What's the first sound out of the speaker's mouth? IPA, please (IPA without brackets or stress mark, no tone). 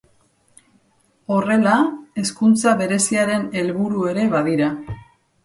o̞